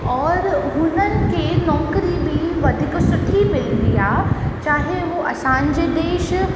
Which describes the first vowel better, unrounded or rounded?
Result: rounded